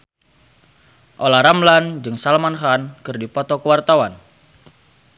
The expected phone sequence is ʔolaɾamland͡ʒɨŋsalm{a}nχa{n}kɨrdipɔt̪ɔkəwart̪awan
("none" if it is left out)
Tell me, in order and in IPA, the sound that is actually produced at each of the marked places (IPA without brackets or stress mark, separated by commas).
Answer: a, n